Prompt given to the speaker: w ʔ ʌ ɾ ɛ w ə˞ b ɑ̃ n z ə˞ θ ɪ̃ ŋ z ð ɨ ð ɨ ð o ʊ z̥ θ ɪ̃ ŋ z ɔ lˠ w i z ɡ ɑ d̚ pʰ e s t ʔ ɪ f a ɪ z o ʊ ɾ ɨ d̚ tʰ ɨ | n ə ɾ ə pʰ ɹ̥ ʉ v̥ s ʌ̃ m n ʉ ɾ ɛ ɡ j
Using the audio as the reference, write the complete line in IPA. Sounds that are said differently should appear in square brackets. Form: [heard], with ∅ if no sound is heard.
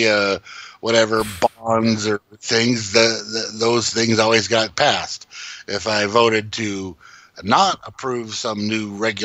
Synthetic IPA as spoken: w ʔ ʌ ɾ ɛ [v] ə˞ b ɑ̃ n z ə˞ θ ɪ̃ ŋ z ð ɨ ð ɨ ð o ʊ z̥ θ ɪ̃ ŋ z ɔ lˠ w i z ɡ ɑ [t̚] pʰ [æ] s t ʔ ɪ f a ɪ [v] o ʊ ɾ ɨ d̚ tʰ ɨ | n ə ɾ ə pʰ ɹ̥ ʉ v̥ s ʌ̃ m n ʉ [ɹ] ɛ ɡ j